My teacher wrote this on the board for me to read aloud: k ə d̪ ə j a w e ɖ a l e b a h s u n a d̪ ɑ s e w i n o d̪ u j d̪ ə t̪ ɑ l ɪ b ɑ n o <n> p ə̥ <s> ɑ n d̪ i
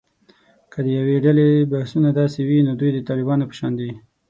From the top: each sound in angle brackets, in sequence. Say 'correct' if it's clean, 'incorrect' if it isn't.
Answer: incorrect, incorrect

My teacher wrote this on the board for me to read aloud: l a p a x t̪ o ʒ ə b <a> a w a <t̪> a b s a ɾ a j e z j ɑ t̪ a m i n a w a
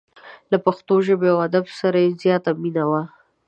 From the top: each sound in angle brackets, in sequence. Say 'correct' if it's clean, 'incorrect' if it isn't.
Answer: incorrect, incorrect

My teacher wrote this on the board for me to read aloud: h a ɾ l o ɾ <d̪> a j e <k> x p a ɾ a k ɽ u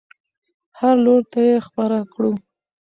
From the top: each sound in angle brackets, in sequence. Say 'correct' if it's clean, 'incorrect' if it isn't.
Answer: incorrect, incorrect

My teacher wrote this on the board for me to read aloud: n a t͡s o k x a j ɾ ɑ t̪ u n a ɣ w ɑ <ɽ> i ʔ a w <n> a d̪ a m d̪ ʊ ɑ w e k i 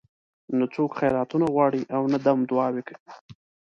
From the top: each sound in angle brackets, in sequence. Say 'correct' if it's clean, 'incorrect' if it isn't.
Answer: correct, correct

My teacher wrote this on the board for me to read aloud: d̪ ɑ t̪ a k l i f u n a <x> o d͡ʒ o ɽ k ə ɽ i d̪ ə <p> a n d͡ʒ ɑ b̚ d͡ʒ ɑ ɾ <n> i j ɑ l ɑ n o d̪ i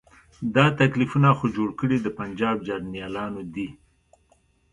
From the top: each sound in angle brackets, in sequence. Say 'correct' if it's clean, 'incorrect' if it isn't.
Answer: correct, correct, correct

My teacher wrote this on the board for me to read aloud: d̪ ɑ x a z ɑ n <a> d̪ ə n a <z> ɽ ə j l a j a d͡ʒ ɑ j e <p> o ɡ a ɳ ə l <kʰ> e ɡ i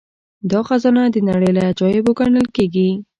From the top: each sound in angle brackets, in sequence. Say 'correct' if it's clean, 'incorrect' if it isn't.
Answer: correct, incorrect, incorrect, incorrect

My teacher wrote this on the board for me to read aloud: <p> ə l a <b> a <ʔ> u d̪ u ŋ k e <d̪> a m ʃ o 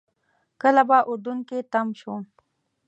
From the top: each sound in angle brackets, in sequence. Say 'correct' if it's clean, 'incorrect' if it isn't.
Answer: incorrect, correct, correct, incorrect

